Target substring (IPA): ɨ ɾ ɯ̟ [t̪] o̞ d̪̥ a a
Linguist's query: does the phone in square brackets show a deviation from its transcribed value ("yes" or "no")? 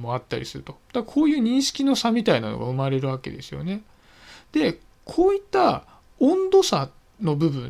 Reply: no